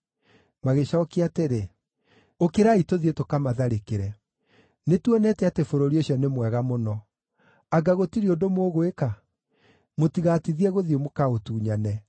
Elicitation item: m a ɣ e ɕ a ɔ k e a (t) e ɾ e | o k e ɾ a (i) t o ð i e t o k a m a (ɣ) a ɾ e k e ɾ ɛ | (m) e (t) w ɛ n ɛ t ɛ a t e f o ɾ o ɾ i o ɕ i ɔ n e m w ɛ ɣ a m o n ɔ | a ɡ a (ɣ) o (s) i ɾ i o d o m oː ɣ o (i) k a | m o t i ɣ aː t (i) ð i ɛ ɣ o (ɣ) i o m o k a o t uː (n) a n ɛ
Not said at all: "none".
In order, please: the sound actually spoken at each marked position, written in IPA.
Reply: t, i, ð, n, t, ɣ, t, e, i, ð, ɲ

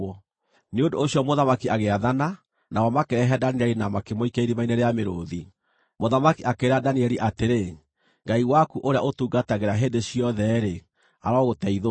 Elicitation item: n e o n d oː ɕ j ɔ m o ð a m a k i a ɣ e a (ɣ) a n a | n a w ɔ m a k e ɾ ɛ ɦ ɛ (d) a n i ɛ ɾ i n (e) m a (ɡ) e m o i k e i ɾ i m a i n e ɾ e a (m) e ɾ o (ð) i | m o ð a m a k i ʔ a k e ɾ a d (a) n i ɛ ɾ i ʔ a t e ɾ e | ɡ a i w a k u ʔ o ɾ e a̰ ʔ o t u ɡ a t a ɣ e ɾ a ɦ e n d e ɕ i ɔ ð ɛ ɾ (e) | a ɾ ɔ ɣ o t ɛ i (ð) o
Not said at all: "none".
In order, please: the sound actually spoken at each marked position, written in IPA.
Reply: ð, d, a, k, m, ð, a, e, ð

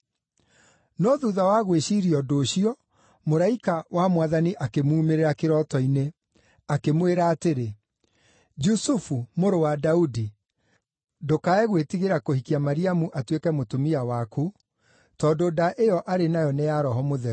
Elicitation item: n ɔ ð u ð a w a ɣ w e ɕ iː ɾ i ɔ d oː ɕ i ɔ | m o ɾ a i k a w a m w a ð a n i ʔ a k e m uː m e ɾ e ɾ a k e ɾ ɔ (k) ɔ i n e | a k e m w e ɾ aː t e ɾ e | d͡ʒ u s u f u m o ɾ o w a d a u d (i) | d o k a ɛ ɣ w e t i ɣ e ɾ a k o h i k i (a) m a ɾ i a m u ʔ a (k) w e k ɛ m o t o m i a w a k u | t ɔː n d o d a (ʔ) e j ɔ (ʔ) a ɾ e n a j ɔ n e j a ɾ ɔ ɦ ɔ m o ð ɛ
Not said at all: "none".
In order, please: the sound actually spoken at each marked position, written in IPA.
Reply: t, i, a, t, ʔ, ʔ

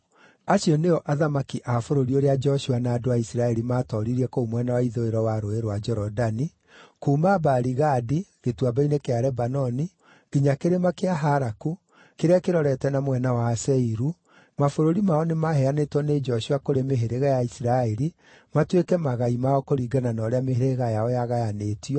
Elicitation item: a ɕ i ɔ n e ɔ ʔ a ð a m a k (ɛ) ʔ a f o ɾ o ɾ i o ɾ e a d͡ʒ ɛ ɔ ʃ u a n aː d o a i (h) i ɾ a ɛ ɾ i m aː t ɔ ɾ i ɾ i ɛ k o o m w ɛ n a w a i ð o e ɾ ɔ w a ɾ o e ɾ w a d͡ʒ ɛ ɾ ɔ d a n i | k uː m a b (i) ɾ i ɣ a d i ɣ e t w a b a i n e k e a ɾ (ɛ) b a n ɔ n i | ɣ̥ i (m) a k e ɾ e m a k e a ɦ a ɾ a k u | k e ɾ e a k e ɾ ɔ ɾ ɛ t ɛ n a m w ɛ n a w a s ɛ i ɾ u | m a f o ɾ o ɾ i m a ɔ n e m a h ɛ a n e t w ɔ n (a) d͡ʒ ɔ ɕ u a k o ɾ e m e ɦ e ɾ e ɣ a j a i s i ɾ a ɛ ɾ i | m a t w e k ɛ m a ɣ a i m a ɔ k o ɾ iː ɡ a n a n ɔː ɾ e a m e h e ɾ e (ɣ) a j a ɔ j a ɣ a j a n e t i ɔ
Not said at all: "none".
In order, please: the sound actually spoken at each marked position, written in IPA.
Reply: i, s, a, ɛ, ɲ, e, ɣ

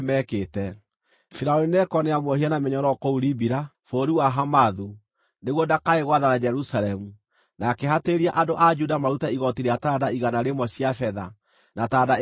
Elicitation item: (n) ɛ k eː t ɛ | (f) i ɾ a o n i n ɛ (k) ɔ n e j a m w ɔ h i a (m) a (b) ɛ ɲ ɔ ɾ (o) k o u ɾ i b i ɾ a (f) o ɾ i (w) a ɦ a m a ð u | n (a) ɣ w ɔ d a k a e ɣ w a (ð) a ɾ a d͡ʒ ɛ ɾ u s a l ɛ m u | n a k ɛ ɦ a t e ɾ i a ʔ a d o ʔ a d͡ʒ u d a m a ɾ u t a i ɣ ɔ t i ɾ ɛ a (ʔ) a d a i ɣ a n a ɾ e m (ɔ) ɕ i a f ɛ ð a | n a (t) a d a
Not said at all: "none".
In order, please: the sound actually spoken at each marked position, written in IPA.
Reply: m, f, k, n, m, ɔ, f, w, e, ð, t, ɔ, t

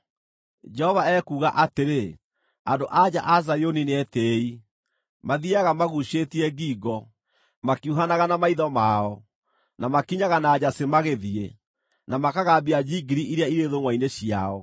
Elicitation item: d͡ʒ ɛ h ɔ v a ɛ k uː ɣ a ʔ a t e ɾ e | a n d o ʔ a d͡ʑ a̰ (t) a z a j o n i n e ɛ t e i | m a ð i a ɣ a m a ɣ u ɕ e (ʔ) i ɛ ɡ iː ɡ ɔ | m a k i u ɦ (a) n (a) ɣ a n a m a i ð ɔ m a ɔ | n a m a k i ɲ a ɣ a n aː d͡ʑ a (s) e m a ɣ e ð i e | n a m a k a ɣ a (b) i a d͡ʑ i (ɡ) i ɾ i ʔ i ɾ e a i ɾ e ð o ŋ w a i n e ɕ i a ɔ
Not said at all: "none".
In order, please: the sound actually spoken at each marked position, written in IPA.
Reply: ʔ, t, a, a, s, b, ɡ

